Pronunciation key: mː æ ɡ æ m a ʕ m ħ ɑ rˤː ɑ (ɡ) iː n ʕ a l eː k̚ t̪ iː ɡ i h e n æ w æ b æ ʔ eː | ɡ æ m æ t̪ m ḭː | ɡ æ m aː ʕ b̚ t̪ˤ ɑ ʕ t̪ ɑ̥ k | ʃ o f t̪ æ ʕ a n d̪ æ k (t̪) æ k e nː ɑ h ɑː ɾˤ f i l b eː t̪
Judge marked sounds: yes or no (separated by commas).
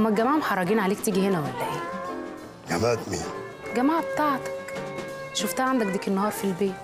yes, no